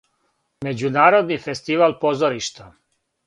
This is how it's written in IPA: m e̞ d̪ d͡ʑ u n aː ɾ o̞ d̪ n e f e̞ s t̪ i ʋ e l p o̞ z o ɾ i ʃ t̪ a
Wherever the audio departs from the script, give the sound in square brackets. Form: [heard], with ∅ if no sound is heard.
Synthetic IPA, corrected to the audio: m e̞ [∅] d͡ʑ u n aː ɾ o̞ d̪ n [i] f e̞ s t̪ i ʋ [a] l p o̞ z o ɾ i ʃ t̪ a